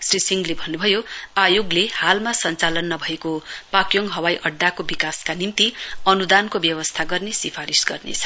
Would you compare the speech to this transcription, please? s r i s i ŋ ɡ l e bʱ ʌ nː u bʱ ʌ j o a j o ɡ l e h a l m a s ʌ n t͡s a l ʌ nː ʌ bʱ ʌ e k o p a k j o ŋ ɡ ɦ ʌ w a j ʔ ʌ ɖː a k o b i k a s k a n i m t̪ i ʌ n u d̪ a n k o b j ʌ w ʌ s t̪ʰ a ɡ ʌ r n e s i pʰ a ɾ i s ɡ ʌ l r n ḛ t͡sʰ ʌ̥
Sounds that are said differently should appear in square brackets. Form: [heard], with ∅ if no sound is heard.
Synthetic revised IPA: s r i s i ŋ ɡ l e bʱ ʌ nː u bʱ ʌ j o a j o ɡ l e h a l m a s ʌ n t͡s a l ʌ nː ʌ bʱ ʌ e k o p a k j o ŋ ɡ ɦ ʌ w a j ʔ ʌ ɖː a k o b i k a s k a n i m t̪ i ʌ n u d̪ a n k o b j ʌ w ʌ s t̪ʰ a ɡ ʌ r n e s i pʰ a ɾ i s ɡ ʌ [∅] r n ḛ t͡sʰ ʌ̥

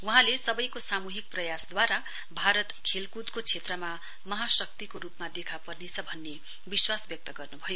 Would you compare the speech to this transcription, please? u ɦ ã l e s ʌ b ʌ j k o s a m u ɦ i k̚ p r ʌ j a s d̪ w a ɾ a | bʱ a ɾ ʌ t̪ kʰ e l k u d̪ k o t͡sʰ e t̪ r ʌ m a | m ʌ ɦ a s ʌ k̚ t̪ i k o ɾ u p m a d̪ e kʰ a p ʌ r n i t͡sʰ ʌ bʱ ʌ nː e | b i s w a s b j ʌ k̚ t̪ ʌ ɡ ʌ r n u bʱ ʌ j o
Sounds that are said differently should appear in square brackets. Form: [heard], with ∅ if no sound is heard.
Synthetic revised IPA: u ɦ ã l e s ʌ b ʌ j k o s a m u ɦ i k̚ p r ʌ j a s d̪ w a ɾ a | bʱ a ɾ ʌ t̪ kʰ e l k u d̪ k o t͡sʰ e t̪ r ʌ m a | m ʌ ɦ a s ʌ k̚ t̪ i k o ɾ u p m a d̪ e kʰ a p ʌ r n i t͡sʰ ʌ bʱ ʌ nː e | b i s w a s b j ʌ k̚ t̪ ʌ ɡ ʌ r n u bʱ ʌ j o

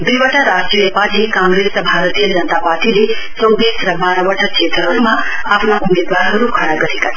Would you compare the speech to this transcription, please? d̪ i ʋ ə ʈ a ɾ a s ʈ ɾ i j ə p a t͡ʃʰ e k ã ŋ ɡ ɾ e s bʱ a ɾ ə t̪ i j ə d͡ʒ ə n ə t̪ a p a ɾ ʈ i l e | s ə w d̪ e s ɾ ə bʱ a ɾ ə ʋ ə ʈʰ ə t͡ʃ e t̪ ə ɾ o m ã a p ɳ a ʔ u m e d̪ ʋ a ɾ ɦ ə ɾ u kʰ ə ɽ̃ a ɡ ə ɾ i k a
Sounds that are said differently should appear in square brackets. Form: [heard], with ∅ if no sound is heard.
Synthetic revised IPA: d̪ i ʋ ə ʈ a ɾ a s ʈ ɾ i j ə p a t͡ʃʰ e k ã ŋ ɡ ɾ e s bʱ a ɾ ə t̪ i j ə d͡ʒ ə n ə t̪ a p a ɾ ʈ i l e | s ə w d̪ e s ɾ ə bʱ a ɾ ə ʋ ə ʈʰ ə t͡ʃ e t̪ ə ɾ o m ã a p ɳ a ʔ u m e d̪ ʋ a ɾ ɦ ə ɾ u kʰ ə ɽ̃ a ɡ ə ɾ i k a

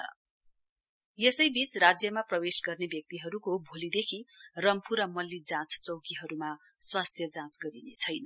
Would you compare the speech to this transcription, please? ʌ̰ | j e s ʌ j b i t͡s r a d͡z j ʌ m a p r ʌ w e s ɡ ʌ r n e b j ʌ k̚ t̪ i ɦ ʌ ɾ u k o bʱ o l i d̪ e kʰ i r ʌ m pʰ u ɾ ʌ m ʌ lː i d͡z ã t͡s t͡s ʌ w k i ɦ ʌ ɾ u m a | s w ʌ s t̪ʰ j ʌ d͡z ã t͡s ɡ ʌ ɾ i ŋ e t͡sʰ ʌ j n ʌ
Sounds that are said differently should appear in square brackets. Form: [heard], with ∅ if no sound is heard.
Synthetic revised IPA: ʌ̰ | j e s ʌ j b i t͡s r a d͡z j ʌ m a p r ʌ w e s ɡ ʌ r n e b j ʌ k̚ t̪ i ɦ ʌ ɾ u k o bʱ o l i d̪ e kʰ i r ʌ m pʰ u ɾ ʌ m ʌ lː i d͡z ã t͡s t͡s ʌ w k i ɦ ʌ ɾ u m a | s w [a] s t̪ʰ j ʌ d͡z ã t͡s ɡ ʌ ɾ i [n] e t͡sʰ ʌ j n ʌ

